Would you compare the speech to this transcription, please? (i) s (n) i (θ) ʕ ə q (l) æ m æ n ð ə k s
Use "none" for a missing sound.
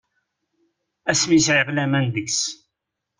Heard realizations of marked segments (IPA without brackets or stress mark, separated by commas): æ, m, s, l